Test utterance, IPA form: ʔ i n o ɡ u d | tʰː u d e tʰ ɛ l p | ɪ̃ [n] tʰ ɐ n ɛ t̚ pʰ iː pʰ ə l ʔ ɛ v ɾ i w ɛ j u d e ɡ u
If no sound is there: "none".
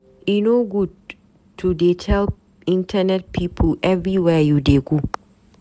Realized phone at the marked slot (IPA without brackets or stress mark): n